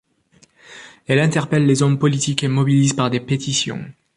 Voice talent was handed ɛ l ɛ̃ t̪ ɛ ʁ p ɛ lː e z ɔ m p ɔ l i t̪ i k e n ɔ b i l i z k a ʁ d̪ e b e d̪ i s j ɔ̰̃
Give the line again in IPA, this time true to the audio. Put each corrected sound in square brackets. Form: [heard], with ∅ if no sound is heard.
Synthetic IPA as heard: ɛ l ɛ̃ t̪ ɛ ʁ p ɛ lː e z ɔ m p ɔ l i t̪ i k e [m] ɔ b i l i z [p] a ʁ d̪ e [p] e [t̪] i s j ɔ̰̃